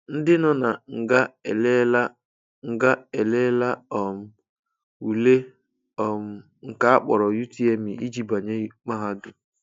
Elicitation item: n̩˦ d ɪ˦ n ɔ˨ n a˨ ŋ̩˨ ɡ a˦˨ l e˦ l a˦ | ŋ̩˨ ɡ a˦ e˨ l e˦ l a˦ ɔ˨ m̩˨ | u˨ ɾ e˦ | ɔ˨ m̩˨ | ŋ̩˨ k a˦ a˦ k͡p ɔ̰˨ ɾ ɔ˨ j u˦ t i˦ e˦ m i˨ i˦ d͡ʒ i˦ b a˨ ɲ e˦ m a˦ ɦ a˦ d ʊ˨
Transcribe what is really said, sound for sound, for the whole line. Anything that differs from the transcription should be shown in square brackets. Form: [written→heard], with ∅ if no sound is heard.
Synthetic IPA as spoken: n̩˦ d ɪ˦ n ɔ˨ n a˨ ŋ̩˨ ɡ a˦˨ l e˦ l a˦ | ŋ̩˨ ɡ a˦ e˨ l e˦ l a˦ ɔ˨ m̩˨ | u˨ [ɾ→l] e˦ | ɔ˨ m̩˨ | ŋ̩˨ k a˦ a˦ k͡p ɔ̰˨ ɾ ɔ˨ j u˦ t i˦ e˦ m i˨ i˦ d͡ʒ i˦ b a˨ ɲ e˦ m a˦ ɦ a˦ d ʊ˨